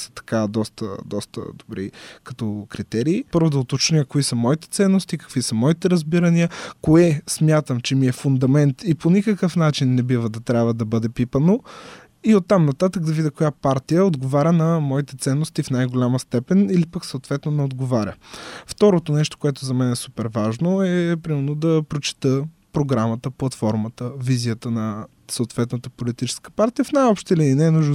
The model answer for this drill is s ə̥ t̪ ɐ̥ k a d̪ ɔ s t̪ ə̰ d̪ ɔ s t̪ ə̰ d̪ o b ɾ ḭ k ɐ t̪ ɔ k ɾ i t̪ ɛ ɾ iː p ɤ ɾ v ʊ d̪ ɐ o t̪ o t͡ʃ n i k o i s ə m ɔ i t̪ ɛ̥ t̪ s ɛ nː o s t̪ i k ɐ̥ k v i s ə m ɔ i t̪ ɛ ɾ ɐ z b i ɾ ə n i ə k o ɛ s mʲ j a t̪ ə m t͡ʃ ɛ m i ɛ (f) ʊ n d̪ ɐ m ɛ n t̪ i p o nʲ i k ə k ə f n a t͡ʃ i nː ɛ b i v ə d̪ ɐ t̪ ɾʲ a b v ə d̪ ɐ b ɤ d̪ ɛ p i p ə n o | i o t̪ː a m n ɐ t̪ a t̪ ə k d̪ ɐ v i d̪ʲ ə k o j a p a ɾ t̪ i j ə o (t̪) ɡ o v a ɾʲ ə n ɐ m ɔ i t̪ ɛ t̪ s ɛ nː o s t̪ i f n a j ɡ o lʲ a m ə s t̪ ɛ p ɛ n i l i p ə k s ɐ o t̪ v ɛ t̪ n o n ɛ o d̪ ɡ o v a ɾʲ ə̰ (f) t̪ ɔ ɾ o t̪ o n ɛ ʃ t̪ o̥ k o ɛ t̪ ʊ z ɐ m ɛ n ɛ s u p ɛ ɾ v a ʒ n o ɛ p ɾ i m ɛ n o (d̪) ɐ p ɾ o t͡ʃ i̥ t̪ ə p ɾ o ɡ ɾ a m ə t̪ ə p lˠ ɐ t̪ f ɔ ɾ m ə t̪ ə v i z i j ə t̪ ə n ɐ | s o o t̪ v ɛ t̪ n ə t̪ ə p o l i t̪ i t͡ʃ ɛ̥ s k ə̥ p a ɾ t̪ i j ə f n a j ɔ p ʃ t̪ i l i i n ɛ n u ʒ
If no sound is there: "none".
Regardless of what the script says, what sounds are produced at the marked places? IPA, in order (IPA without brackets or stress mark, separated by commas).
f, d̪, f, d̪